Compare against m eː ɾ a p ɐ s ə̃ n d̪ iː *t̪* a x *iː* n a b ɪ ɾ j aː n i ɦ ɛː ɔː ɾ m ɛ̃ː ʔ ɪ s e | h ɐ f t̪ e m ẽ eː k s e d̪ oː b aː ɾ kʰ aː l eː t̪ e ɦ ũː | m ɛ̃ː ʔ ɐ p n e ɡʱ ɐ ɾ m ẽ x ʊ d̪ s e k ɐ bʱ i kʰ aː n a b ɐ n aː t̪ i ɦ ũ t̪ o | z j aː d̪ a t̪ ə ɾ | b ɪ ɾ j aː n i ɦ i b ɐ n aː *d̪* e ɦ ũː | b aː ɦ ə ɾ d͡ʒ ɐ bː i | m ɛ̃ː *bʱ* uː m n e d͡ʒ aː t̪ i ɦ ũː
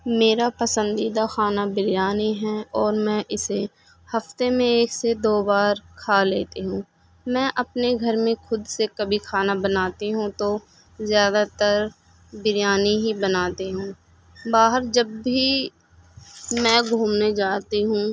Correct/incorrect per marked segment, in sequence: incorrect: d̪, incorrect: aː, incorrect: t̪, incorrect: ɡʱ

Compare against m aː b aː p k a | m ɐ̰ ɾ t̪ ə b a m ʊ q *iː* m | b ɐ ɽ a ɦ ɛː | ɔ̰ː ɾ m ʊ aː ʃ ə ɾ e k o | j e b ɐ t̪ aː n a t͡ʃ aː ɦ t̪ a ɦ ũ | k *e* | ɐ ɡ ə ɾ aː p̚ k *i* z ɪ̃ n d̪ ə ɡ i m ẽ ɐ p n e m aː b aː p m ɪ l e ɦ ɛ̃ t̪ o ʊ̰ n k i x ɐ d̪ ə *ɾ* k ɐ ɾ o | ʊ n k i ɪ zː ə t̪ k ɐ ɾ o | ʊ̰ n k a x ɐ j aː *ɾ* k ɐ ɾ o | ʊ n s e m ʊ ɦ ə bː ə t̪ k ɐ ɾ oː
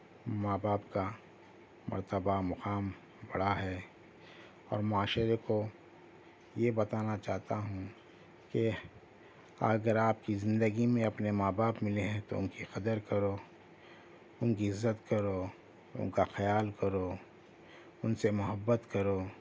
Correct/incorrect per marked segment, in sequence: incorrect: aː, correct, correct, correct, incorrect: l

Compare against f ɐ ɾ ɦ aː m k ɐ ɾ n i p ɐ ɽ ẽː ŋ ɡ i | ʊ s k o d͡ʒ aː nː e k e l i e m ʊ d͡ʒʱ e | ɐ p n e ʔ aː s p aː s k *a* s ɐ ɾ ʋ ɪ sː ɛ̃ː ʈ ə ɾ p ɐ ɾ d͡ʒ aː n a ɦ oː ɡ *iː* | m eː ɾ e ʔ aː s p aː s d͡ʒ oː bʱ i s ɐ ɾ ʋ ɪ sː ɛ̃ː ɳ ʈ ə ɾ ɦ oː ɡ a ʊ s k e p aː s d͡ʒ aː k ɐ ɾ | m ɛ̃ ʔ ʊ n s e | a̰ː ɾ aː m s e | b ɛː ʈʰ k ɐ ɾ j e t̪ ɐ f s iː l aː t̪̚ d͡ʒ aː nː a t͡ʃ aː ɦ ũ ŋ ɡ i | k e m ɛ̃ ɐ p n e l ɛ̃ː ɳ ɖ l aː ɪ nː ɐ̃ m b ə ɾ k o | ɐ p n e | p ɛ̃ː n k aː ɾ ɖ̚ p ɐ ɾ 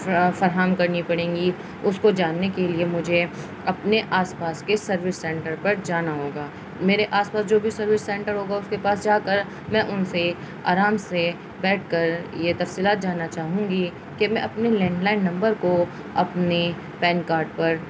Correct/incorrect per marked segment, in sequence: incorrect: e, incorrect: aː

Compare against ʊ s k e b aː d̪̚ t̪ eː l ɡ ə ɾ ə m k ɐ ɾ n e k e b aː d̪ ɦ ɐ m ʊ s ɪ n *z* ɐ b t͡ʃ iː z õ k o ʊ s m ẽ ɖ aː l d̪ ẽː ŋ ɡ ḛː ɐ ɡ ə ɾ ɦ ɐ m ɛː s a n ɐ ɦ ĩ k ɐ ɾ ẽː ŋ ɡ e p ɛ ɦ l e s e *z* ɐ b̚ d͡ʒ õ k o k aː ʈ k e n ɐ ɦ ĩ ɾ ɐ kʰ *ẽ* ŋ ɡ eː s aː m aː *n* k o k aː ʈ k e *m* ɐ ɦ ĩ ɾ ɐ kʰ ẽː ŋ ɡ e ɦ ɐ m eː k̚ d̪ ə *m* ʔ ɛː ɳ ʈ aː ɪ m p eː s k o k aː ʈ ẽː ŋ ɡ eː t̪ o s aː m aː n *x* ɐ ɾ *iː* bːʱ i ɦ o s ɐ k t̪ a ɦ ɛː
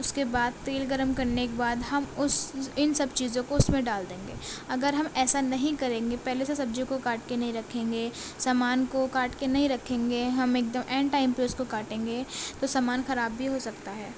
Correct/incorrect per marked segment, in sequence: incorrect: s, incorrect: s, incorrect: ẽː, correct, incorrect: n, correct, correct, incorrect: aː

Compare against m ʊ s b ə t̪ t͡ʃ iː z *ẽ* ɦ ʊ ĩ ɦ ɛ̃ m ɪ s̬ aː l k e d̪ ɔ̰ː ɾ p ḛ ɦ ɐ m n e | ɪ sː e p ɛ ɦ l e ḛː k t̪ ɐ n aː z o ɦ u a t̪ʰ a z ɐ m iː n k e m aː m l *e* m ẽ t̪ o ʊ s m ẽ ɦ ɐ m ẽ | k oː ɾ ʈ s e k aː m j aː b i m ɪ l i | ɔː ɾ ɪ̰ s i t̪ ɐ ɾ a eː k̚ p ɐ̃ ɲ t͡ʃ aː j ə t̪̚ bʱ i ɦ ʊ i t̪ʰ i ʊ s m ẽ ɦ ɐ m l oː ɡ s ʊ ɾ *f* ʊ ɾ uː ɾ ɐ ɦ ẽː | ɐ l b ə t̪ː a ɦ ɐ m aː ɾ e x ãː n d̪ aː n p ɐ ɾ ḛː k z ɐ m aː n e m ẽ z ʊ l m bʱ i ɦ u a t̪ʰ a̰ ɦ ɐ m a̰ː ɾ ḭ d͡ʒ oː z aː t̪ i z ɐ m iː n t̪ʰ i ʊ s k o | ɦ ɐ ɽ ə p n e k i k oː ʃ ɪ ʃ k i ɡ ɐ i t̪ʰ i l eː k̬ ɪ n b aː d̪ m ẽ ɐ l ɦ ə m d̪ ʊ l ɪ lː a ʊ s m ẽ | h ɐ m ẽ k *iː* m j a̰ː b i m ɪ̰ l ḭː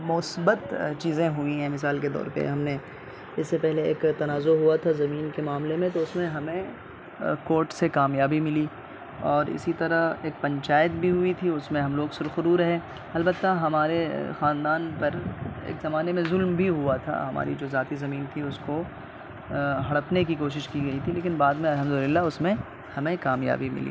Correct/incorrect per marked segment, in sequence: correct, correct, incorrect: x, incorrect: aː

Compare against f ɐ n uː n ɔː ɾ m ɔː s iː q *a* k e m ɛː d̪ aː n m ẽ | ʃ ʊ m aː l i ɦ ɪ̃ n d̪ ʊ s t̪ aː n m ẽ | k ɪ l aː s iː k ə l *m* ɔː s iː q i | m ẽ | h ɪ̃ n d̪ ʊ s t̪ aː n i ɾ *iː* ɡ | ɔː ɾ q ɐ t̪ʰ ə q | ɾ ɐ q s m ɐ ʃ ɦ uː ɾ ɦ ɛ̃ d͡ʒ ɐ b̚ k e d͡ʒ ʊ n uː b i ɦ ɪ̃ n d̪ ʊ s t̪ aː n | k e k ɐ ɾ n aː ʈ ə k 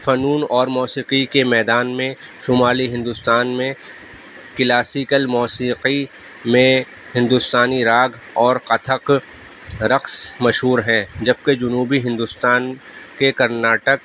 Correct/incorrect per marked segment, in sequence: incorrect: i, correct, incorrect: aː

